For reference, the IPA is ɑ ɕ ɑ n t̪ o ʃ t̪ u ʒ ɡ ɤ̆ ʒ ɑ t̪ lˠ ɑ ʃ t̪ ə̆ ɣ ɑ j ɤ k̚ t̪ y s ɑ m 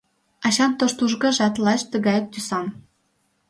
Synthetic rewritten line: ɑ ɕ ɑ n t̪ o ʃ t̪ u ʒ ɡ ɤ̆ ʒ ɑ t̪ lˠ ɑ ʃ t̪ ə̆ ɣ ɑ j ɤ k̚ t̪ y s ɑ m